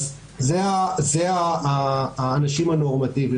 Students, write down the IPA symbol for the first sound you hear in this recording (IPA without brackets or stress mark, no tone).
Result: z